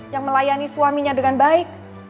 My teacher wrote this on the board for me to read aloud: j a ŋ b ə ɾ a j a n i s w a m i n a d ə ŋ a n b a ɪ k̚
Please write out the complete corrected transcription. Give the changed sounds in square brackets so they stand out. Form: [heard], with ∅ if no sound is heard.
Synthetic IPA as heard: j a ŋ [m] ə [l] a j a n i s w a m i [ɲ] a d ə ŋ a n b a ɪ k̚